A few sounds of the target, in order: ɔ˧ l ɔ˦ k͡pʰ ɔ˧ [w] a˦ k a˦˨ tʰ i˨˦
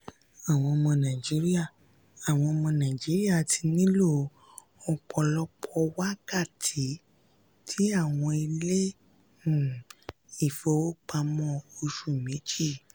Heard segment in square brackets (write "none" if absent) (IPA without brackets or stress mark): w